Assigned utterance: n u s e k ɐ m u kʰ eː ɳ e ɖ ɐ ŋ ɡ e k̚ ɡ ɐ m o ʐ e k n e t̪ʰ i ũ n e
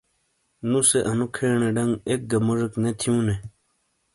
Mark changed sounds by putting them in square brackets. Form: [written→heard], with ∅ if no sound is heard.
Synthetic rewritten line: n u s e [k→ʔ] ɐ [m→n] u kʰ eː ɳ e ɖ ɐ ŋ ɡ e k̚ ɡ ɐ m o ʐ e k n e t̪ʰ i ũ n e